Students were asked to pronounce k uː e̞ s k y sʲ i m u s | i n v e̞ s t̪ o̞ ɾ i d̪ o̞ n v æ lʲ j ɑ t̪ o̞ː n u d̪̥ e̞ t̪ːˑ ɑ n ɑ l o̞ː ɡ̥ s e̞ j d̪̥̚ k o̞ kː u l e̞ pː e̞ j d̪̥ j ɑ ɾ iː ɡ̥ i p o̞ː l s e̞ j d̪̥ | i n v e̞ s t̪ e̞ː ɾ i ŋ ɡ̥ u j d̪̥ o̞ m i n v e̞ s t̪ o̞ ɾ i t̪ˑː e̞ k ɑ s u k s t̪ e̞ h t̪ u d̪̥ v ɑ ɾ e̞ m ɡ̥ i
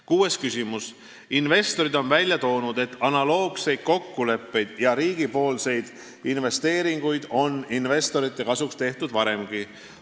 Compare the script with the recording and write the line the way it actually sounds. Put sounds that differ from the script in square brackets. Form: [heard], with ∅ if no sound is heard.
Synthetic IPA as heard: k uː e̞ s k y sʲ i m u s | i n v e̞ s t̪ o̞ ɾ i d̪ o̞ n v æ lʲ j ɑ t̪ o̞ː n u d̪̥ e̞ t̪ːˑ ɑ n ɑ l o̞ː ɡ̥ s e̞ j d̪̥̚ k o̞ kː u l e̞ pː e̞ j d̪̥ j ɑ ɾ iː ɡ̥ i p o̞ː l s e̞ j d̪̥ | i n v e̞ s t̪ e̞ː ɾ i ŋ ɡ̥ u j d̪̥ o̞ [n] i n v e̞ s t̪ o̞ ɾ i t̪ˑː e̞ k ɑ s u k s t̪ e̞ h t̪ u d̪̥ v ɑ ɾ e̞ m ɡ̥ i